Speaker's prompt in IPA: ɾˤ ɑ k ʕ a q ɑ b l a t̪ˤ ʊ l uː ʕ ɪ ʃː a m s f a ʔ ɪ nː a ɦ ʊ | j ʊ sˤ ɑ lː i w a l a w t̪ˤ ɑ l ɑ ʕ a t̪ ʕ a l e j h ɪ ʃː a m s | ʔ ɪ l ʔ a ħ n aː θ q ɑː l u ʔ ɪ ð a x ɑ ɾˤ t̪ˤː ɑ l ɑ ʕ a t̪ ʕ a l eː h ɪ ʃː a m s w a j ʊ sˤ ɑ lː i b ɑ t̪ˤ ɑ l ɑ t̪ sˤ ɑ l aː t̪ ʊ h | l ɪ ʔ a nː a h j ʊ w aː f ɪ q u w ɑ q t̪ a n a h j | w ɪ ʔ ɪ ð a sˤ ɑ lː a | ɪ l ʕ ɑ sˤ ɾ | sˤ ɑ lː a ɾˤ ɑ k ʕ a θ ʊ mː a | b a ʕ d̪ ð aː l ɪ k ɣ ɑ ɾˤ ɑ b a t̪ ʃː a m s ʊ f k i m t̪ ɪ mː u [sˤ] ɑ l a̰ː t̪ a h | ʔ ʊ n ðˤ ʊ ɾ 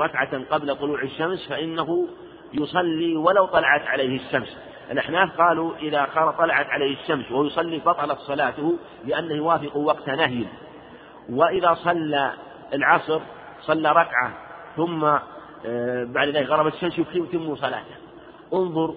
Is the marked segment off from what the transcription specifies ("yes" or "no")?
no